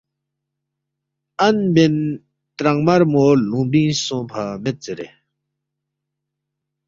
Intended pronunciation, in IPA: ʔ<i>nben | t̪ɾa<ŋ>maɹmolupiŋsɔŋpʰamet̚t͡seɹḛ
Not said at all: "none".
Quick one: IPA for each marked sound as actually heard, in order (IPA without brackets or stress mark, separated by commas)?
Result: a, ŋ